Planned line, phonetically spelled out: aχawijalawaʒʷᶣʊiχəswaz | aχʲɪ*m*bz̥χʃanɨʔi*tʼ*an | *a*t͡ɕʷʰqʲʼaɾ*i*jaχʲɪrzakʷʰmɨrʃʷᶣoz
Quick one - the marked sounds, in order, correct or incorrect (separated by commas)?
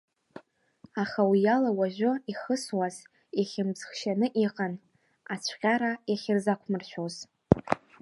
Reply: correct, incorrect, correct, incorrect